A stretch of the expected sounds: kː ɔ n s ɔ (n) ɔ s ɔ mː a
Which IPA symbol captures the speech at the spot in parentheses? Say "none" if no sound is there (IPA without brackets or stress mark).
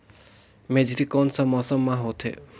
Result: m